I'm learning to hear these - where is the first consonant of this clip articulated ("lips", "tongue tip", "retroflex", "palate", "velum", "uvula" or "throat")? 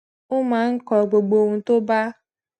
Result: lips